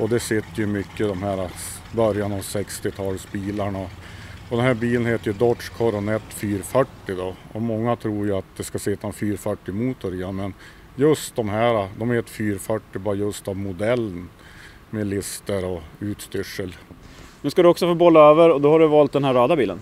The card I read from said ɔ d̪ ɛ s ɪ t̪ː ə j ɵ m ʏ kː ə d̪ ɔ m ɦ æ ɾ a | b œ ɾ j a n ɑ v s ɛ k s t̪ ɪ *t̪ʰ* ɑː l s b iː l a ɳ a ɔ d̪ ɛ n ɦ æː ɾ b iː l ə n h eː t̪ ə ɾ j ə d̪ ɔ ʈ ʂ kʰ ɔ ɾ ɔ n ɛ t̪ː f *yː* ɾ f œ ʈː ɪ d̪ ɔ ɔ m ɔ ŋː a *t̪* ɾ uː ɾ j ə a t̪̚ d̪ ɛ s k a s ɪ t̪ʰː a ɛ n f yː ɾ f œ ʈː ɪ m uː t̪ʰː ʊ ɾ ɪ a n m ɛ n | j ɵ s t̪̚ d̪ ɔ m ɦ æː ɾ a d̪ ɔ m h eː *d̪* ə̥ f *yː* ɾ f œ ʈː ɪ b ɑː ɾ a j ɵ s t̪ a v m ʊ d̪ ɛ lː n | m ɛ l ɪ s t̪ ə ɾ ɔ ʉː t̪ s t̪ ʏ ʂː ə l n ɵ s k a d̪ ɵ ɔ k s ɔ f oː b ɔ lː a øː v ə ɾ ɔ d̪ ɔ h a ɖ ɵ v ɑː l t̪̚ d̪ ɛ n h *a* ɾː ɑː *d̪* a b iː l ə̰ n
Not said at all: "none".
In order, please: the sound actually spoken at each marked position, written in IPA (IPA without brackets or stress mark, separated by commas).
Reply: t̪ʰ, yː, t̪ʰ, t̪, yː, æ, d̪